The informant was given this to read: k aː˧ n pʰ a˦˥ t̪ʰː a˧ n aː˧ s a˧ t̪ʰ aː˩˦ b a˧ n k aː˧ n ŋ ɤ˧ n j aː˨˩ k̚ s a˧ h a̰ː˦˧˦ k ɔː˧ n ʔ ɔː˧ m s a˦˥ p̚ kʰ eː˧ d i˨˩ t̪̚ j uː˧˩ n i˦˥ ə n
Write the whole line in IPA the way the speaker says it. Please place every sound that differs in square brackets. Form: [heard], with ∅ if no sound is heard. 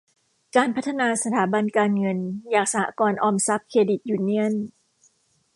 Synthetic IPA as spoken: k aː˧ n pʰ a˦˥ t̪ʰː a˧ n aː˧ s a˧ t̪ʰ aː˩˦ b a˧ n k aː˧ n ŋ ɤ˧ n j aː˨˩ k̚ s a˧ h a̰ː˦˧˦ k ɔː˧ n ʔ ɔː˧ m s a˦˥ p̚ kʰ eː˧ d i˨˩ t̪̚ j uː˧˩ n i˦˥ ə n